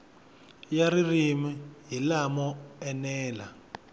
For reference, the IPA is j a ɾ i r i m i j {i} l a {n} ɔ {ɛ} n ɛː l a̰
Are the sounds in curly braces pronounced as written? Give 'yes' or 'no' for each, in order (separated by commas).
yes, no, yes